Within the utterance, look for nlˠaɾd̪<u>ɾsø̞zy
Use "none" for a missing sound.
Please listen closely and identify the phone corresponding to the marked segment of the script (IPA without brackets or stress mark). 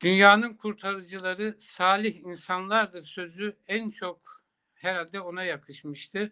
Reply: ɯ